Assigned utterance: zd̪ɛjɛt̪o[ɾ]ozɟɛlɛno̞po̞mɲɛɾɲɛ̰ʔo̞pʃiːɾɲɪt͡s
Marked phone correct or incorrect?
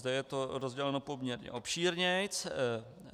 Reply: correct